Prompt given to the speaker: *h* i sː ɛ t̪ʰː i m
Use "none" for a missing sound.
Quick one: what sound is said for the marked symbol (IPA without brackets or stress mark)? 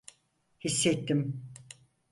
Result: h